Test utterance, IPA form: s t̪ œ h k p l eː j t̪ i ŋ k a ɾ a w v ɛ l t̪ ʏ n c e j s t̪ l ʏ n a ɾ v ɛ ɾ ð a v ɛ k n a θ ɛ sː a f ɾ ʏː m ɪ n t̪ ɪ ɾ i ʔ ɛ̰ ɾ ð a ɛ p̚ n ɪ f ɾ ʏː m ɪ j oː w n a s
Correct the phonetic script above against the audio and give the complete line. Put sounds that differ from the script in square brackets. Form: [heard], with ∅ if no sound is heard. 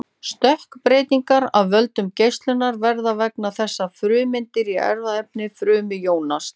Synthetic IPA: s t̪ œ h k p [ɾ] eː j t̪ i ŋ k a ɾ a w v [œ] l t̪ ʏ [m] c e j s t̪ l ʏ n a ɾ v ɛ ɾ ð a v ɛ k n a θ ɛ sː a f ɾ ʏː m ɪ n t̪ ɪ ɾ i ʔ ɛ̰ ɾ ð a ɛ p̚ n ɪ f ɾ ʏː m ɪ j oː w n a s